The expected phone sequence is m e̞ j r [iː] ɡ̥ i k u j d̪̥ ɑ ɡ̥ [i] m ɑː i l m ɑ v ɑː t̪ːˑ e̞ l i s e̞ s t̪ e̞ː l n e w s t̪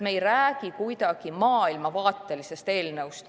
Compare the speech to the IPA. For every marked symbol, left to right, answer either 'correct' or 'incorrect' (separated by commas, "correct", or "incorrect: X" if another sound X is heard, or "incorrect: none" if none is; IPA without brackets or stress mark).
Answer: incorrect: æː, correct